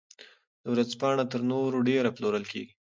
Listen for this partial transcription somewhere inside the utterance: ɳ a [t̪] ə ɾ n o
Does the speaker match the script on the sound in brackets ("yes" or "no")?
yes